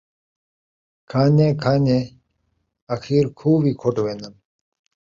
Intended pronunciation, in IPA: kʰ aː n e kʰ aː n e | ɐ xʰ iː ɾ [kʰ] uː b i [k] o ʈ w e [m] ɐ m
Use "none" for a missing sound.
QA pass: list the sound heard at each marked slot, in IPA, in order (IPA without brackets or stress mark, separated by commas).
kʰ, kʰ, n